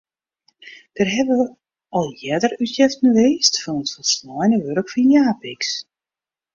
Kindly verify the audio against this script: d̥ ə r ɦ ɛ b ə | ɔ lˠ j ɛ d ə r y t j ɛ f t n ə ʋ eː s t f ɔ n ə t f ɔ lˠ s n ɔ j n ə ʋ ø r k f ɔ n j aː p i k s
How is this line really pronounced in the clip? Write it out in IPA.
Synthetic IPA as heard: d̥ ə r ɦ ɛ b ə | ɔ lˠ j ɛ d ə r y t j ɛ f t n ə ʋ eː s t f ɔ n ə t f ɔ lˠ s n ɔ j n ə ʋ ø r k f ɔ n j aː p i k s